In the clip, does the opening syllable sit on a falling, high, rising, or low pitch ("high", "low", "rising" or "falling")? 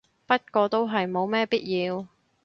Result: high